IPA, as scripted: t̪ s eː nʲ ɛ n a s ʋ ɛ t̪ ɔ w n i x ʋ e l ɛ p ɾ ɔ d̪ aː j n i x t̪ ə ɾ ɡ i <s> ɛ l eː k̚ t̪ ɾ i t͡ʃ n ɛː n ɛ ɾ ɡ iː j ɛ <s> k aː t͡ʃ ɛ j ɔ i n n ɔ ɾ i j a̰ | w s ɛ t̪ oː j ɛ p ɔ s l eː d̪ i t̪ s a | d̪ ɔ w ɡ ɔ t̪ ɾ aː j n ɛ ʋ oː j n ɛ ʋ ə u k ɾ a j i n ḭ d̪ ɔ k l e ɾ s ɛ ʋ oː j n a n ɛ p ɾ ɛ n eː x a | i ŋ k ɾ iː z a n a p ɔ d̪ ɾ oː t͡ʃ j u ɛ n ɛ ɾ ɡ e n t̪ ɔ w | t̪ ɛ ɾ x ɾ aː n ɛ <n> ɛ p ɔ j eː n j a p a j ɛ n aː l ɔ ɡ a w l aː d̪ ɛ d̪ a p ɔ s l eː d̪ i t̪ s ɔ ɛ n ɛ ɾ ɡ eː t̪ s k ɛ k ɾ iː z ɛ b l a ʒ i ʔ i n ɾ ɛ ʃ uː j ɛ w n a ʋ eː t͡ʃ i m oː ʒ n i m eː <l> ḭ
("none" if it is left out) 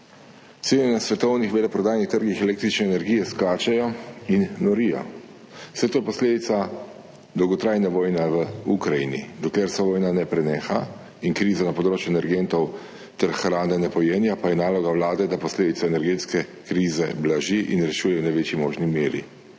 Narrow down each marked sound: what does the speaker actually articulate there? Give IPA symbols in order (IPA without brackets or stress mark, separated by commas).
x, s, n, ɾ